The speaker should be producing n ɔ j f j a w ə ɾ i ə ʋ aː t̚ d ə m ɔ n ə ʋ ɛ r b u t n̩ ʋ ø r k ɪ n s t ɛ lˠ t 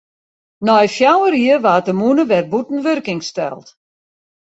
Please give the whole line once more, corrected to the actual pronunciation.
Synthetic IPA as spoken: n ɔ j f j a w ə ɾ i ə ʋ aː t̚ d ə m u n ə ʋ ɛ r b u t n̩ ʋ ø r k ɪ ŋ s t ɛ lˠ t